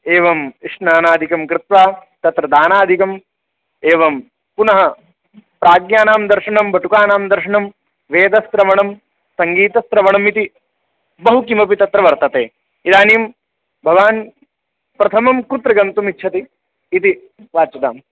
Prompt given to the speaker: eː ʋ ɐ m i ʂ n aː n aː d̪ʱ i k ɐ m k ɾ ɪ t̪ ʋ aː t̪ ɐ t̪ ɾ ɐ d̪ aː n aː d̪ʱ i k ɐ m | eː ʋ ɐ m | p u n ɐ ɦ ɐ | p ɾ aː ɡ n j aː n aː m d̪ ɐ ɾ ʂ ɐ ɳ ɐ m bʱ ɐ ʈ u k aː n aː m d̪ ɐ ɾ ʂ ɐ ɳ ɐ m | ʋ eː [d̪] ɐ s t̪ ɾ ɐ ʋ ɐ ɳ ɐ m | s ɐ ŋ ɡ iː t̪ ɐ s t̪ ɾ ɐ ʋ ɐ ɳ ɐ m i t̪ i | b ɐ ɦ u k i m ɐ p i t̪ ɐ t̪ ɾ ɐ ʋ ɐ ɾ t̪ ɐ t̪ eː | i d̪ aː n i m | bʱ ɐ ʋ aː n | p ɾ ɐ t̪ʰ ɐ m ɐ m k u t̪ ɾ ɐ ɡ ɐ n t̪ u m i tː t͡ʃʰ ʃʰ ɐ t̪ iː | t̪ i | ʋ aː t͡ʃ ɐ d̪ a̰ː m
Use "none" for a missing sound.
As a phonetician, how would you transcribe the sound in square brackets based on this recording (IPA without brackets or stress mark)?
d̪